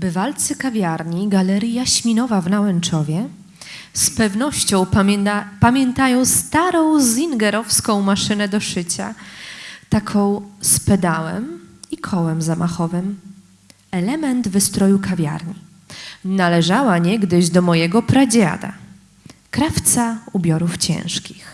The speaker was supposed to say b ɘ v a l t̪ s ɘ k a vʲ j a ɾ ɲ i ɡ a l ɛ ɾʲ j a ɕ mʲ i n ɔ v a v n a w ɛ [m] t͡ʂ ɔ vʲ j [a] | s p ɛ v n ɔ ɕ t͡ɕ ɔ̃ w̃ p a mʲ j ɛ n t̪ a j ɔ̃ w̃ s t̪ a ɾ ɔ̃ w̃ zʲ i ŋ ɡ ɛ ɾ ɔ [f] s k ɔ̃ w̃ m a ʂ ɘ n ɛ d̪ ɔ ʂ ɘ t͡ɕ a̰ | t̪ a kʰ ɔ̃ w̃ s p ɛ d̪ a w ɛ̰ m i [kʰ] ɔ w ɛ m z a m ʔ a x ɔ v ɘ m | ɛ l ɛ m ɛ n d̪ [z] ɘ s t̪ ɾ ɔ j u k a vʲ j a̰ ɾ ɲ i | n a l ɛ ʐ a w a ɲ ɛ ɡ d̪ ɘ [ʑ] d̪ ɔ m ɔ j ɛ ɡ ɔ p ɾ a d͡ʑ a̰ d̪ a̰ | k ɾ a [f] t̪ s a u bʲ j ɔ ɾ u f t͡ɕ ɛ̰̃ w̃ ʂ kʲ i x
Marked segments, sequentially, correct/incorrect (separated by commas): incorrect, incorrect, correct, correct, incorrect, correct, correct